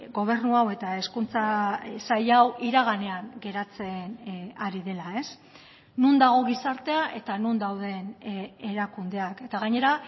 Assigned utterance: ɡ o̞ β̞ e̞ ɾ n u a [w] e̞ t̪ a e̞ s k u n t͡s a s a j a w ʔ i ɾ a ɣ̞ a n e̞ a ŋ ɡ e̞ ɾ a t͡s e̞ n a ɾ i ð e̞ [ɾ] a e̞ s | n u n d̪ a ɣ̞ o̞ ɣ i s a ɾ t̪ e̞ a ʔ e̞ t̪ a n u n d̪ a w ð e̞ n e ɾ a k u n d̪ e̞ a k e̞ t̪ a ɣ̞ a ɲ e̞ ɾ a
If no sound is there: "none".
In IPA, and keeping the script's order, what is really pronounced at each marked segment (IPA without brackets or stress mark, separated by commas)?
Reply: w, l